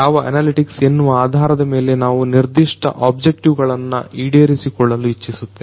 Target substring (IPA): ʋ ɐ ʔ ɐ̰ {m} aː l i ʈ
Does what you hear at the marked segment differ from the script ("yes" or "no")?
yes